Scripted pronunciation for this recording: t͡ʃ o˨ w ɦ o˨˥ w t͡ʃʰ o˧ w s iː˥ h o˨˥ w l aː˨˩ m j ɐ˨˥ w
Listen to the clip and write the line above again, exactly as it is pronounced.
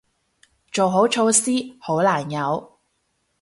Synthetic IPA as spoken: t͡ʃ o˨ w ɦ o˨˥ w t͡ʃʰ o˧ w s iː˥ h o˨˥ w l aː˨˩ n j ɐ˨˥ w